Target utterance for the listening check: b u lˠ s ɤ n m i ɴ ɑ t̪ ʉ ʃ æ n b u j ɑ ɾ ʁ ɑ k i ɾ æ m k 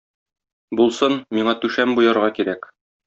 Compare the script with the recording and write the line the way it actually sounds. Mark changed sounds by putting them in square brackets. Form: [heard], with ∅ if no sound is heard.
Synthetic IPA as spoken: b u lˠ s ɤ n m i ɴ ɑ t̪ ʉ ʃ æ [m] b u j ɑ ɾ ʁ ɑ k i ɾ æ [∅] k